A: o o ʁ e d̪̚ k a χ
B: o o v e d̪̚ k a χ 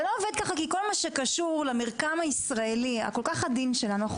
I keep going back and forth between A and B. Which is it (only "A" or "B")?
B